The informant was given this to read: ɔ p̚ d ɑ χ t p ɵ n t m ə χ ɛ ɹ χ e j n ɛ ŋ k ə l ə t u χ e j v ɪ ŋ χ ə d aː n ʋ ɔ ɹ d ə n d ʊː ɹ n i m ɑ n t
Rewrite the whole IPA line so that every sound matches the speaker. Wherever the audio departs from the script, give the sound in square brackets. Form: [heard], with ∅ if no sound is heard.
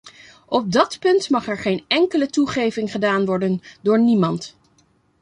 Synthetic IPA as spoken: ɔ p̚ d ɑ [∅] t p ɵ n t m [ɑ] χ ɛ ɹ χ e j n ɛ ŋ k ə l ə t u χ e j v ɪ ŋ χ ə d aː n ʋ ɔ ɹ d ə n d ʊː ɹ n i m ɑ n t